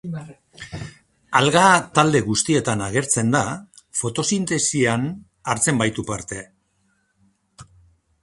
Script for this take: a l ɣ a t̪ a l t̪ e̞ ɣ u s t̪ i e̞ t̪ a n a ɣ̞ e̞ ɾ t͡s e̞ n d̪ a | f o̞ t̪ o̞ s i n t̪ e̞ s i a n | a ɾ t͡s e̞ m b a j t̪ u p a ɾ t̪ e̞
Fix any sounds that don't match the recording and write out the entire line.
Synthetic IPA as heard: a l ɣ a t̪ a l d̪ e̞ ɣ u s t̪ i e̞ t̪ a n a ɣ̞ e̞ ɾ t͡s e̞ n d̪ a | f o̞ t̪ o̞ s i n t̪ e̞ s i a n | a ɾ t͡s e̞ m b a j t̪ u p a ɾ t̪ e̞